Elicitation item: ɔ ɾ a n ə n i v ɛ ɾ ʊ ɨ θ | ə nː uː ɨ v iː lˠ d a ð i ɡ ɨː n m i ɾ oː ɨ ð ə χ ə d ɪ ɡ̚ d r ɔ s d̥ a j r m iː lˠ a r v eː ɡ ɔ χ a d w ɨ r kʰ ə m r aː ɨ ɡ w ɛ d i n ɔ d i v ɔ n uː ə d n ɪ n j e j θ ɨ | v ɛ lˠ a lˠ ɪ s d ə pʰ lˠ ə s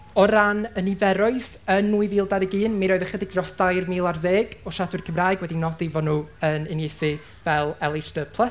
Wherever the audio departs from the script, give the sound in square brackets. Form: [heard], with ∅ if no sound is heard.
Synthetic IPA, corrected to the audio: ɔ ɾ a n ə n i v ɛ ɾ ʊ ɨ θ | ə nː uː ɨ v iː lˠ d a ð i ɡ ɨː n m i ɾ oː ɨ ð ə χ ə d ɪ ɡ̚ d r ɔ s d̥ a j r m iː lˠ a r [ð] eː ɡ ɔ [ʃ] a d w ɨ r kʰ ə m r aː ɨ ɡ w ɛ d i n ɔ d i v ɔ n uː ə [∅] n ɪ n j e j θ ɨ | v ɛ lˠ [ɛ] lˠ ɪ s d ə pʰ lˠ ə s

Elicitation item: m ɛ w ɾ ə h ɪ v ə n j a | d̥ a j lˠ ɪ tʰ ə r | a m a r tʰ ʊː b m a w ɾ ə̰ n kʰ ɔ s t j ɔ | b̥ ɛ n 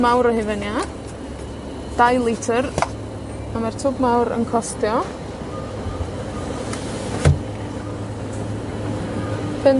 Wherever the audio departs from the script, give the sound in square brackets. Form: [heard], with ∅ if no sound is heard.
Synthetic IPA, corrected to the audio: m [a] w ɾ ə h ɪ v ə n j a | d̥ a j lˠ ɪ tʰ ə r | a m a r tʰ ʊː b m a w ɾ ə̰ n kʰ ɔ s t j ɔ | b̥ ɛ n

